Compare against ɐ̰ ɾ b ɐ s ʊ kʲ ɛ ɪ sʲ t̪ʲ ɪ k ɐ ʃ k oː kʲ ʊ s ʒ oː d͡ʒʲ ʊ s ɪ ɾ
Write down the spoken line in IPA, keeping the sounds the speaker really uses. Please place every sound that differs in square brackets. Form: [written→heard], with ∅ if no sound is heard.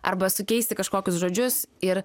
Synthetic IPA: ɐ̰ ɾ b ɐ s ʊ kʲ ɛ ɪ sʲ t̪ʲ ɪ k ɐ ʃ k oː kʲ ʊ s ʒ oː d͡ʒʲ ʊ s ɪ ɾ